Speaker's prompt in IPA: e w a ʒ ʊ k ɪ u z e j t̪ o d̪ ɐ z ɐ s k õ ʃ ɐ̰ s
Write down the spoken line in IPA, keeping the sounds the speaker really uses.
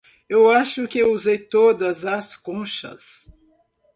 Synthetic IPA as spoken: e w a ʃ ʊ k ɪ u z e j t̪ o d̪ ɐ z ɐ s k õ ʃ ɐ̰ s